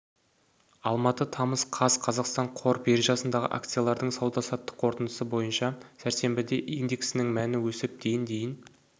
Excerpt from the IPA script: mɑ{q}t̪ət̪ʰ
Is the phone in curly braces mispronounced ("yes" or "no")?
yes